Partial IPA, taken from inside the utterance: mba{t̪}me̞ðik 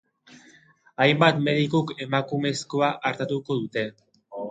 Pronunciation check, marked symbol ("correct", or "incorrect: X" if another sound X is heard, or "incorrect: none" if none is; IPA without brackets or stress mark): correct